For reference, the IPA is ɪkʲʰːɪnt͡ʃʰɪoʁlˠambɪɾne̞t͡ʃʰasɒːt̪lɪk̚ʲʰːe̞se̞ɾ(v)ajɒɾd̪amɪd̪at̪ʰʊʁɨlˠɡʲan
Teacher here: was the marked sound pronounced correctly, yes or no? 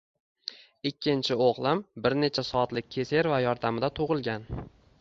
yes